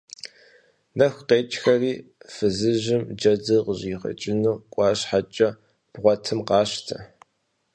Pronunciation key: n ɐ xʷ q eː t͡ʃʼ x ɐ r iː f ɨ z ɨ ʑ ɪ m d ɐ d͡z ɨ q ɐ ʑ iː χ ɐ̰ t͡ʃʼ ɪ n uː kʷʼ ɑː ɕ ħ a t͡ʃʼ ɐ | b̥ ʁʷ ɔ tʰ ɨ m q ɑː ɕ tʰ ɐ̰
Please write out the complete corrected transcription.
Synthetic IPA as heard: n ɐ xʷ q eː t͡ʃʼ x ɐ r iː f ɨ z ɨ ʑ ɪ m d͡ʒ ɐ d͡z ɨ q ə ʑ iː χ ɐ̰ t͡ʃʼ ɪ n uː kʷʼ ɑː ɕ ħ a t͡ʃʼ ɐ | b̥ ʁʷ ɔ tʰ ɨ m q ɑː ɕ tʰ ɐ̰